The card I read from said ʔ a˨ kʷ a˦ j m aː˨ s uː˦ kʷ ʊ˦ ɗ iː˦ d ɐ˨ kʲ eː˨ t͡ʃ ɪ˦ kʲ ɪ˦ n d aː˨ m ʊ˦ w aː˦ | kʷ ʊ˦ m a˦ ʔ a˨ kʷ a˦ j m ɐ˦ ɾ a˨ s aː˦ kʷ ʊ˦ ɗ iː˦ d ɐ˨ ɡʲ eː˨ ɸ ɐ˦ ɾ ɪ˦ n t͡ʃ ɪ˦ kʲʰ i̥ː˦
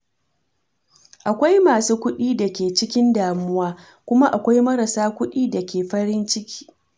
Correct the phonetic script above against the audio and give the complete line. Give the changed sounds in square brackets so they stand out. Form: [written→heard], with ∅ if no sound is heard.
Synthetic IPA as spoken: ʔ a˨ kʷ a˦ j m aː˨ s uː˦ kʷ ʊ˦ ɗ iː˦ d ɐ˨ kʲ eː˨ t͡ʃ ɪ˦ kʲ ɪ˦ n d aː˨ m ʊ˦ w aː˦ | kʷ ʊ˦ m a˦ ʔ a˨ kʷ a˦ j m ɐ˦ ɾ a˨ s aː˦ kʷ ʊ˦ ɗ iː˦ d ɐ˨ [ɡʲ→kʲ] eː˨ ɸ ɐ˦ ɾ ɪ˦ n t͡ʃ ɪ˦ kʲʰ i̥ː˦